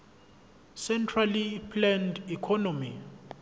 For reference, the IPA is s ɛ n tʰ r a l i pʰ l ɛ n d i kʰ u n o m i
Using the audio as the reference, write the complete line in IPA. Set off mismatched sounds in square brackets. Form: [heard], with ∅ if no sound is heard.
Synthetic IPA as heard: s ɛ n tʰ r a l i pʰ l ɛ n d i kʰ [ɔ] n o m i